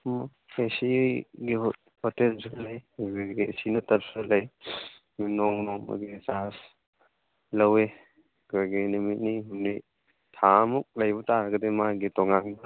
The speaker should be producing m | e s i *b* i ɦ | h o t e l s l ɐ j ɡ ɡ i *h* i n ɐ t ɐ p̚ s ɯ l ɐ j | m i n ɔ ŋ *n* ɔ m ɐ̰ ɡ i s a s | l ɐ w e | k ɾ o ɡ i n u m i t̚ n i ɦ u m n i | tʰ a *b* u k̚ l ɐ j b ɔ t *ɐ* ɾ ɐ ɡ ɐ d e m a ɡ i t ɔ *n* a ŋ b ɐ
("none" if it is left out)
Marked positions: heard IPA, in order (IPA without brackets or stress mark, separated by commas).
ɡ, s, n, m, a, ŋ